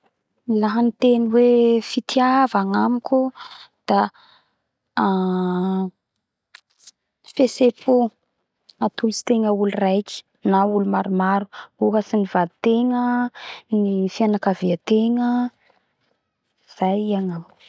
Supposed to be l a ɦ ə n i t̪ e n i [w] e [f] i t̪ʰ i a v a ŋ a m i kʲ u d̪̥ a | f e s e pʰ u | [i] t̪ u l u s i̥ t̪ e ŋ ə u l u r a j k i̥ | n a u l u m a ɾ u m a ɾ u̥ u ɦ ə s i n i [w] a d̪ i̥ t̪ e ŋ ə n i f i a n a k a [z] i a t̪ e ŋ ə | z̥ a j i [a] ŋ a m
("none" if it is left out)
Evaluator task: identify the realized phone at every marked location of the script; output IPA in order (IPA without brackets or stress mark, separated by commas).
w, f, a, v, v, a